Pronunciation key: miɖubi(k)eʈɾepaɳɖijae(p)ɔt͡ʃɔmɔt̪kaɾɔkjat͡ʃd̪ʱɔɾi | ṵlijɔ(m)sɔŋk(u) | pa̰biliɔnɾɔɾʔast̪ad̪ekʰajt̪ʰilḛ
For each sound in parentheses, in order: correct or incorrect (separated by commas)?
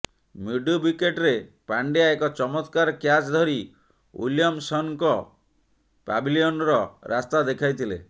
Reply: correct, incorrect, correct, incorrect